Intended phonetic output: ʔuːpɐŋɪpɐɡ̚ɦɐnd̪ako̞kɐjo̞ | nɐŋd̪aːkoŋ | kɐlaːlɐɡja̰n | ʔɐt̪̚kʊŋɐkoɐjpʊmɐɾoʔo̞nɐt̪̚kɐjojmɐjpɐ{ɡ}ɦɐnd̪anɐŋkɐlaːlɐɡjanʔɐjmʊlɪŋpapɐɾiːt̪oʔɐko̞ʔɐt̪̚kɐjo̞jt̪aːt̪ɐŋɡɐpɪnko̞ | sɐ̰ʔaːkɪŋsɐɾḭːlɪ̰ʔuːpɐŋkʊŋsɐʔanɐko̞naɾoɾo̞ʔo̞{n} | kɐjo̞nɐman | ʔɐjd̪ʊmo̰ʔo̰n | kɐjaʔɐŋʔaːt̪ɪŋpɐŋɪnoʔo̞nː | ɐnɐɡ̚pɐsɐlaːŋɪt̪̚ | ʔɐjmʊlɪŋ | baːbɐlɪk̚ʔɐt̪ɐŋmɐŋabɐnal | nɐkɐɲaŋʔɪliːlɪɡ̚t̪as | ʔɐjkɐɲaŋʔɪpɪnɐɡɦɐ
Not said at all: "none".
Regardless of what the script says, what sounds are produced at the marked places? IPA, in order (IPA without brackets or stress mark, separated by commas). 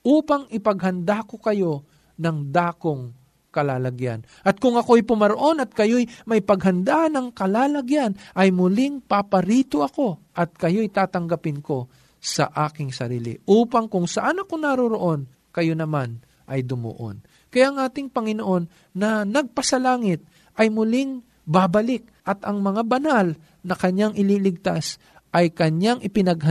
ɡ, n